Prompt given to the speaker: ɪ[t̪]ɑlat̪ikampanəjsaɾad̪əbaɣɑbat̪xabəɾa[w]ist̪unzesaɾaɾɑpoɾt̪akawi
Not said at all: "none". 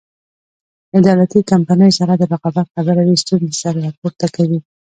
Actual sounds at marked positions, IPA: d̪, w

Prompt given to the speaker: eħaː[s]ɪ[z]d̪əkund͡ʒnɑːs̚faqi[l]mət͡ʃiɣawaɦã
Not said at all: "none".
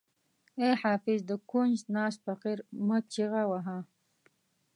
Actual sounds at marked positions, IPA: f, z, ɾ

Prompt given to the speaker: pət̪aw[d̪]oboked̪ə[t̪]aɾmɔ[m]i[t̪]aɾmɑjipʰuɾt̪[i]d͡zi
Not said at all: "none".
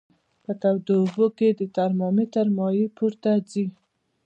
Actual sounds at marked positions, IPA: d̪, t̪, m, t̪, a

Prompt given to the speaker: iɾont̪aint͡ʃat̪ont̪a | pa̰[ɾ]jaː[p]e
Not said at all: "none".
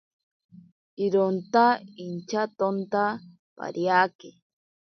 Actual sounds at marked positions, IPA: ɾ, k

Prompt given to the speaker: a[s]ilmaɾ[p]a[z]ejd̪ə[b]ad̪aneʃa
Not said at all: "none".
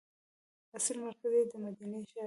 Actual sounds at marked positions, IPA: s, k, z, m

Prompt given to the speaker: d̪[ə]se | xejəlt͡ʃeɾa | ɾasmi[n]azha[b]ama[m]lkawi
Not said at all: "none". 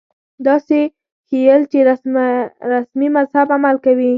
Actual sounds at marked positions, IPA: ɑ, m, b, none

